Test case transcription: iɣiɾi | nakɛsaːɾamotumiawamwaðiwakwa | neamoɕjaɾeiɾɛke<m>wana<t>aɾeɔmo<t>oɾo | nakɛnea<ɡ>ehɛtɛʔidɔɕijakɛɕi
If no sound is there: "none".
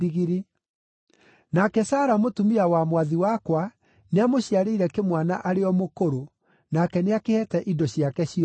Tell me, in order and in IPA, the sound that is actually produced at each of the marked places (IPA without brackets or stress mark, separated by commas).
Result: m, ʔ, k, k